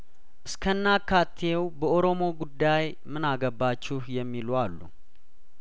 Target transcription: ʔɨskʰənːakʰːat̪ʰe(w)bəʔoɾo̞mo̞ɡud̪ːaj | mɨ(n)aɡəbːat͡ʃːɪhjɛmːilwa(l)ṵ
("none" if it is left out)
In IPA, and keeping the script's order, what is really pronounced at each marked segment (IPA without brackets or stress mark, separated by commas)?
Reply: w, n, lː